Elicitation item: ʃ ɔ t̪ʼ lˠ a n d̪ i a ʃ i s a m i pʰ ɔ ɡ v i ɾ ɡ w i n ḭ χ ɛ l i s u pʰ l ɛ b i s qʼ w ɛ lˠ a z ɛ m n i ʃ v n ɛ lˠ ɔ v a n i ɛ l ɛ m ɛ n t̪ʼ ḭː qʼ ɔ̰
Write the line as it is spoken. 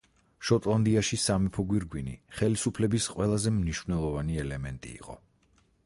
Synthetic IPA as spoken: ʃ ɔ t̪ʼ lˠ a n d̪ i a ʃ i s a m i pʰ ɔ ɡ w i ɾ ɡ w i n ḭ χ ɛ l i s u pʰ l ɛ b i s qʼ w ɛ lˠ a z ɛ m n i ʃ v n ɛ lˠ ɔ v a n i ɛ l ɛ m ɛ n t̪ʼ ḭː qʼ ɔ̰